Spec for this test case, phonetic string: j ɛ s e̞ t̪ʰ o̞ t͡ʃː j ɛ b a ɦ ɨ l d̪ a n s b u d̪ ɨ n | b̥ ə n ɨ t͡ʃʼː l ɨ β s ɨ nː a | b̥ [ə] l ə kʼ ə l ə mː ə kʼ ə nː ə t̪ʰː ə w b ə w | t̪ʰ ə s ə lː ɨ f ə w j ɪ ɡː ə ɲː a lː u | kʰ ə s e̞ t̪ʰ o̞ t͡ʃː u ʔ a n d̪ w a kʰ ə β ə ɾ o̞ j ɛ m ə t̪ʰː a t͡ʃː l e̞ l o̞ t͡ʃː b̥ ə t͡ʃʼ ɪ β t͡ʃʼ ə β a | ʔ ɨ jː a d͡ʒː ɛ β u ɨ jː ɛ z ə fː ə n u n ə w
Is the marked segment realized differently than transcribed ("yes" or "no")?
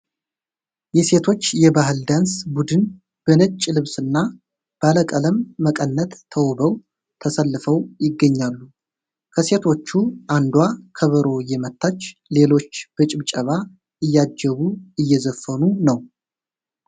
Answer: yes